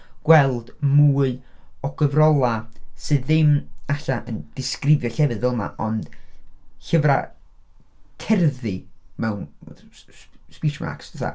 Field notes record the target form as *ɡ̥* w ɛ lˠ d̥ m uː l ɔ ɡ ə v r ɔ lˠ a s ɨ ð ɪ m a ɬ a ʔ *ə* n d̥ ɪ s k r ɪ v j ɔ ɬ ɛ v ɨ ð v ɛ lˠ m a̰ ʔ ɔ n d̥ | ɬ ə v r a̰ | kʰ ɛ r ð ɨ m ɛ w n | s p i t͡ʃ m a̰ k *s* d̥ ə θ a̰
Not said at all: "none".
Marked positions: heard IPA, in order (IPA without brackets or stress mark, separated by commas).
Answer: ɡ̥, ə, s